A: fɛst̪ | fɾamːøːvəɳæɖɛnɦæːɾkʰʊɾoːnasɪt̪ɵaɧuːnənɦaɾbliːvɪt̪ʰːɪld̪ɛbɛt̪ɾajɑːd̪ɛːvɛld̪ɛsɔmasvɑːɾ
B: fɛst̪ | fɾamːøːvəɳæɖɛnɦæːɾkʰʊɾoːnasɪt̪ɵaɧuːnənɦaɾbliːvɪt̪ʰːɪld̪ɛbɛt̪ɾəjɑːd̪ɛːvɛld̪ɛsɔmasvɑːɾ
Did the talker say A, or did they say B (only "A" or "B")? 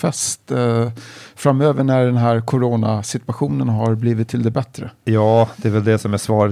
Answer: B